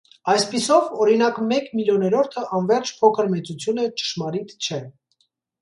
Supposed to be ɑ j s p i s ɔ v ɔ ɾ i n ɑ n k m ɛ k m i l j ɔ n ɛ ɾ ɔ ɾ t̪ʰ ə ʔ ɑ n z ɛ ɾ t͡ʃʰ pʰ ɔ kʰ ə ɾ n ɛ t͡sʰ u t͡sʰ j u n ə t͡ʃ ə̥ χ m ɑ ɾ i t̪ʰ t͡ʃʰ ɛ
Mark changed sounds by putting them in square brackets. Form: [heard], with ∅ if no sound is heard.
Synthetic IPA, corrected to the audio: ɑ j s p i s ɔ v ɔ ɾ i n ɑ [∅] k m ɛ k m i l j ɔ n ɛ ɾ ɔ ɾ t̪ʰ ə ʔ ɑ n [v] ɛ ɾ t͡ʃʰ pʰ ɔ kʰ ə ɾ [m] ɛ [t͡s] u t͡sʰ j u n ə t͡ʃ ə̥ [ʃ] m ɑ ɾ i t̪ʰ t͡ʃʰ ɛ